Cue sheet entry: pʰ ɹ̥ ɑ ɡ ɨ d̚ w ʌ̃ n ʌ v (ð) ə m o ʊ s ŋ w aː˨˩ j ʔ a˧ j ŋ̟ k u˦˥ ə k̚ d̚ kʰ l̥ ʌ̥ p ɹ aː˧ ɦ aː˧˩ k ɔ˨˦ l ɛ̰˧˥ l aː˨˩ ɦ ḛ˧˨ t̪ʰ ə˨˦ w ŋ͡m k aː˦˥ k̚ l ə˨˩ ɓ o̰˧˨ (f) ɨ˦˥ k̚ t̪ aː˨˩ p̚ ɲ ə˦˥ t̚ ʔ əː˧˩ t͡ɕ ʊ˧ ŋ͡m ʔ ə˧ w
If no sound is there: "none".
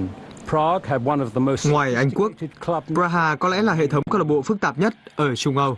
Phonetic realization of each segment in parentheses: ð, f

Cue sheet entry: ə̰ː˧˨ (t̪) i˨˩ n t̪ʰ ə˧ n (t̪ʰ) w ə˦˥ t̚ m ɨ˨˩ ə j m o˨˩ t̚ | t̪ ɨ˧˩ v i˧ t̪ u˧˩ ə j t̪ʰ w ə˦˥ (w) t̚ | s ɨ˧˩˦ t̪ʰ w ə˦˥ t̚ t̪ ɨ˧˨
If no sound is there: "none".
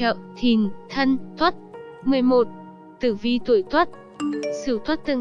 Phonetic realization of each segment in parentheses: t̪ʰ, t̪ʰ, none

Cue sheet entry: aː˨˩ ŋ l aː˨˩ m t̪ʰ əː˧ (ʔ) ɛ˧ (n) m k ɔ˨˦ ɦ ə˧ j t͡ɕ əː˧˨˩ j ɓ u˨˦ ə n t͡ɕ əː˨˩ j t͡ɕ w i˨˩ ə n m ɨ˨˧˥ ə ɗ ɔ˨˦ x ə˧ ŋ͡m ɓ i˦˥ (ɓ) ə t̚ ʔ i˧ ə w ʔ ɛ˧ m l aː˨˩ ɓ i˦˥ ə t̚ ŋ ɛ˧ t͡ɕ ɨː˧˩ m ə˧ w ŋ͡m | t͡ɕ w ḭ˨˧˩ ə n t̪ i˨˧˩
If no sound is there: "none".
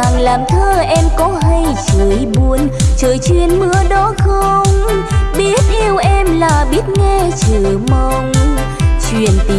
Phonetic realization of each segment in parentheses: ʔ, none, none

